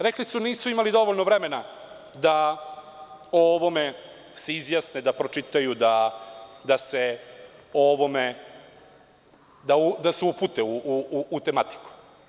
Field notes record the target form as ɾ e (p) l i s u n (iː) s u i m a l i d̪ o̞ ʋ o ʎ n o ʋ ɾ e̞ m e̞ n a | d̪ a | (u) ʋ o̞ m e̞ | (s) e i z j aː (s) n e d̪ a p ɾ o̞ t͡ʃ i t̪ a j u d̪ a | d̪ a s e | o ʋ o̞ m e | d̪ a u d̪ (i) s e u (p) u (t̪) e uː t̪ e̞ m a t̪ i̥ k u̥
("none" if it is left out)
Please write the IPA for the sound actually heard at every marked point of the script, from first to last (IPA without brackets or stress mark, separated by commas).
k, iː, o, s, s, a, p, t̪